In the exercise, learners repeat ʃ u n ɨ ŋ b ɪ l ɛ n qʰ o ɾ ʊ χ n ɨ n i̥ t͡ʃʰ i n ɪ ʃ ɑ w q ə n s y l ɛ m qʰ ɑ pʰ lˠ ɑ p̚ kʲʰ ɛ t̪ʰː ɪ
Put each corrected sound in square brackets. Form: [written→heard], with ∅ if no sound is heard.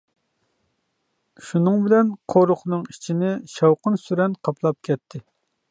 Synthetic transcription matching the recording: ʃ u n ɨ ŋ b ɪ l ɛ n qʰ o ɾ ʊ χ n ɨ [n→ŋ] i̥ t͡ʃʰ i n ɪ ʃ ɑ w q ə n s y [l→ɾ] ɛ [m→n] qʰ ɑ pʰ lˠ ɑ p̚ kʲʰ ɛ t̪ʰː ɪ

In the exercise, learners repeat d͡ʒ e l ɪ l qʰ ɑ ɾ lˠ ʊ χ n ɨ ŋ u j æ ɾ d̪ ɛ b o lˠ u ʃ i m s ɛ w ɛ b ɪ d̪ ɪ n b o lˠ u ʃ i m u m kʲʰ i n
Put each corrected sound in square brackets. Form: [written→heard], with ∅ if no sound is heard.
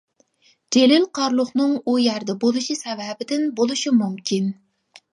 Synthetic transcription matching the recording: d͡ʒ e l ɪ l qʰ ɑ ɾ lˠ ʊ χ n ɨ ŋ u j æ ɾ d̪ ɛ b o lˠ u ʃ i [m→∅] s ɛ [w→v] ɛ b ɪ d̪ ɪ n b o lˠ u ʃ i m u m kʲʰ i n

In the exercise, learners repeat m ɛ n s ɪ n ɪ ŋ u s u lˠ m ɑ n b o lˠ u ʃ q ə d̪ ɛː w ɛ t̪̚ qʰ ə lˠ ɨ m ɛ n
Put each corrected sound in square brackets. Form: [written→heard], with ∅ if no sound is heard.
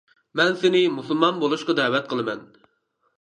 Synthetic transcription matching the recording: m ɛ n s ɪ n ɪ [ŋ→m] u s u lˠ m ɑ n b o lˠ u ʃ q [ə→ɑ] d̪ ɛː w ɛ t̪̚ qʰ ə lˠ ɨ m ɛ n

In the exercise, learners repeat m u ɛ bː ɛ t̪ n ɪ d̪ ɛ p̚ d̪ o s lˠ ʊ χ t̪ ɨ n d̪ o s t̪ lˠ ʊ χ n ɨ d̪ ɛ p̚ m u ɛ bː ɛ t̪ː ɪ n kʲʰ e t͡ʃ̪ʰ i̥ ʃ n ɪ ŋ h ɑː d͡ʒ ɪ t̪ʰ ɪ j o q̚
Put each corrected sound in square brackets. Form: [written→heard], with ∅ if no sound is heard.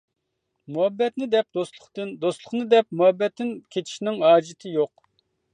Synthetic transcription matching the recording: m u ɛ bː ɛ t̪ n ɪ d̪ ɛ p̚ d̪ o s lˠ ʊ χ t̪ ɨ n d̪ o s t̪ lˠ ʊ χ n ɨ d̪ ɛ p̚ m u ɛ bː ɛ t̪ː ɪ n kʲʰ e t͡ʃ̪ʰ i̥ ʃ n ɪ ŋ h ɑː d͡ʒ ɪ t̪ʰ ɪ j o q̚

